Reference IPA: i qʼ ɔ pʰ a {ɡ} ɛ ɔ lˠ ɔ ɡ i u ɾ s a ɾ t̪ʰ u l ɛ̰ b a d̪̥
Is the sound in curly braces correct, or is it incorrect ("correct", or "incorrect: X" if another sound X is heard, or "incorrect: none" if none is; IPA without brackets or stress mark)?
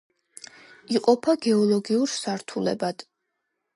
correct